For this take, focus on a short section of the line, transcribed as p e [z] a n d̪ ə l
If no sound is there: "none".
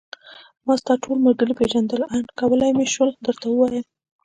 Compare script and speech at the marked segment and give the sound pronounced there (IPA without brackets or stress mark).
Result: ʒ